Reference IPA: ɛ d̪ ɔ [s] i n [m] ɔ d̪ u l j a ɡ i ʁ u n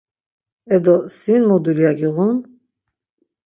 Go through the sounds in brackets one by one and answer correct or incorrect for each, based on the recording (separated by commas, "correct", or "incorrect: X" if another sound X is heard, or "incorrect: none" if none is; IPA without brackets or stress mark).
correct, correct